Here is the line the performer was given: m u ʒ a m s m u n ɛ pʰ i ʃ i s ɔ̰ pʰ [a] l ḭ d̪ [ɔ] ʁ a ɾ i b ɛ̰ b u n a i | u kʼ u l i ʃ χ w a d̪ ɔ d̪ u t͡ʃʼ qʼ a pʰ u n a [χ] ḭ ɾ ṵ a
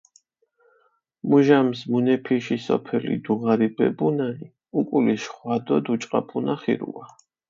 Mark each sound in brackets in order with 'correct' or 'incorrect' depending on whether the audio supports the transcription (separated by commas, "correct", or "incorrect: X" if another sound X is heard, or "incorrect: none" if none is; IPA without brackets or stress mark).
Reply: incorrect: ɛ, incorrect: u, correct